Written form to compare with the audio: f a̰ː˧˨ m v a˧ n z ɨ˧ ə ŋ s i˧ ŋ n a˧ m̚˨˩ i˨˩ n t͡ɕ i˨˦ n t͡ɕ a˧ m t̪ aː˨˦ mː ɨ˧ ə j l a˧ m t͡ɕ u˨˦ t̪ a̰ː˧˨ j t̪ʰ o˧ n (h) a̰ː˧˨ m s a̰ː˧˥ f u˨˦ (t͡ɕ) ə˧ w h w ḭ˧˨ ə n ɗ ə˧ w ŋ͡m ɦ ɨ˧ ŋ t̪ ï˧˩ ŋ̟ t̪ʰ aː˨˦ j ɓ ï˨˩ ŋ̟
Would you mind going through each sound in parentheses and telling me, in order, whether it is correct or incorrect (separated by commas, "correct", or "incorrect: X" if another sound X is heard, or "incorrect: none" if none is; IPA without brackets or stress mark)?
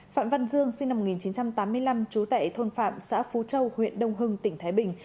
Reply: incorrect: f, correct